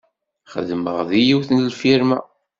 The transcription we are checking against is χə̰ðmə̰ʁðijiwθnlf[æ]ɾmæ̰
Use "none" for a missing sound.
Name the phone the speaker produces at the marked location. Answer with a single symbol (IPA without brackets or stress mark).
i